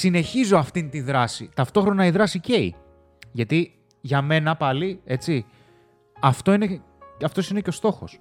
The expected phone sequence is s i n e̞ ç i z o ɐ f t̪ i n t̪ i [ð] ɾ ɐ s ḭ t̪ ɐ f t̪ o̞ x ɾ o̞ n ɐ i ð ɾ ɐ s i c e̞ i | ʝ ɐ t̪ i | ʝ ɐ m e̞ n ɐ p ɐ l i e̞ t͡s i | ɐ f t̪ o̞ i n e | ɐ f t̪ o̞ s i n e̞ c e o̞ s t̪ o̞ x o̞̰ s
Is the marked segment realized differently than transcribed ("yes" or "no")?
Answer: no